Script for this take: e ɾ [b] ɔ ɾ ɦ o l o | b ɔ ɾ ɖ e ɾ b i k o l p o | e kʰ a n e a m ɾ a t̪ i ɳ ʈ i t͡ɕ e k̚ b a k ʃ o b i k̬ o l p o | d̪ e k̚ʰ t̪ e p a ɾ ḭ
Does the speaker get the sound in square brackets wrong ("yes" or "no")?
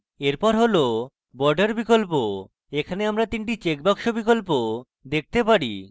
yes